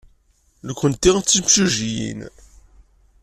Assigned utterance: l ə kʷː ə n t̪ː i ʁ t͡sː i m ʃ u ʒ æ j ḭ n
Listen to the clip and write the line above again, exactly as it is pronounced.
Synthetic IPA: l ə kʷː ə n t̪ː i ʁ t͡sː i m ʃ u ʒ i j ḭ n